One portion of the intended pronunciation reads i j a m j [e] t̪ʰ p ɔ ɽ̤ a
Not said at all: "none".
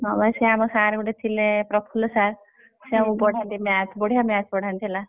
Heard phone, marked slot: a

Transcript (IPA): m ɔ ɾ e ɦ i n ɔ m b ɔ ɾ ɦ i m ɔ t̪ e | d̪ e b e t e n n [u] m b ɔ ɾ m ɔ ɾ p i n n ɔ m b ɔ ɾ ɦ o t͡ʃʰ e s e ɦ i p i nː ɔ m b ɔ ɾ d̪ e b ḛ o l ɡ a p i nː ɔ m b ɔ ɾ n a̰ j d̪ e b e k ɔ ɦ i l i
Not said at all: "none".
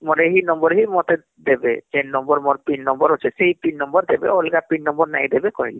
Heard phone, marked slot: ɔ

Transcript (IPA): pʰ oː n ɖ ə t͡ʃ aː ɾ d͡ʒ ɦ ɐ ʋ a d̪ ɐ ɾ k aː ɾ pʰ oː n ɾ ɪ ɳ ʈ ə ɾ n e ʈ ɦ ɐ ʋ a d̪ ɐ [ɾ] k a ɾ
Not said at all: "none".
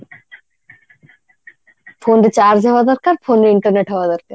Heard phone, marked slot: ɾ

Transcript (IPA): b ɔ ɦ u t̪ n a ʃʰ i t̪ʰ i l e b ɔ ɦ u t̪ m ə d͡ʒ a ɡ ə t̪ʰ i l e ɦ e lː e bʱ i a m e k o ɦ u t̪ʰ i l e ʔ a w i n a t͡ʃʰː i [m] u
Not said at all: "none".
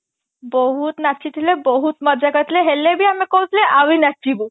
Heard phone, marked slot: b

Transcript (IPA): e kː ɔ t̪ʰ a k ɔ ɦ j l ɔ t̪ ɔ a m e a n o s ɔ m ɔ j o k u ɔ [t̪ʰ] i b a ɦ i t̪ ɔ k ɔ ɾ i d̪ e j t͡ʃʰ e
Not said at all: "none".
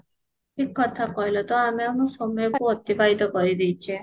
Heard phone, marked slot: t̪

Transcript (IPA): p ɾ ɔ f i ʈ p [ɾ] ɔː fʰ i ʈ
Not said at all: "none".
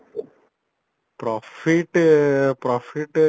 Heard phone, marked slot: ɾ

